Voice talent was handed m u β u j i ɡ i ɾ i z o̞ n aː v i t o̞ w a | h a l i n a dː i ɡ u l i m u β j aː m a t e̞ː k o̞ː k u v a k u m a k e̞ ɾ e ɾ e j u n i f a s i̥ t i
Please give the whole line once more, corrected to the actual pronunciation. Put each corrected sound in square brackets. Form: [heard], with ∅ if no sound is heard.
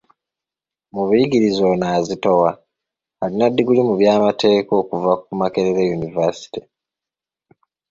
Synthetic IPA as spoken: m u β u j i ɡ i ɾ i z o̞ n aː [z] i t o̞ w a | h a l i n a dː i ɡ u l i m u β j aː m a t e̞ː k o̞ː k u v a k u m a k e̞ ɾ e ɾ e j u n i [v] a s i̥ t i